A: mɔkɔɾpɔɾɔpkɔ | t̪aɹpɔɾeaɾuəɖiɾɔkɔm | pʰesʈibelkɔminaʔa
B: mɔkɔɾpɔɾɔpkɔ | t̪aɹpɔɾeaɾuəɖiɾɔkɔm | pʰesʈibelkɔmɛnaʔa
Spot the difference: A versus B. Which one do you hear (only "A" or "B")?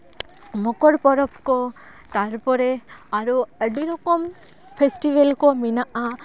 A